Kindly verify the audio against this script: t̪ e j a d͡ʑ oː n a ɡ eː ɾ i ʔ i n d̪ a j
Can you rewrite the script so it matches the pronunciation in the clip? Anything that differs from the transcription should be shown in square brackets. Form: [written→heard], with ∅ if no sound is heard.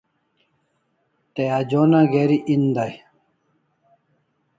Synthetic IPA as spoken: t̪ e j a d͡ʑ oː n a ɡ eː ɾ i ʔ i n d̪ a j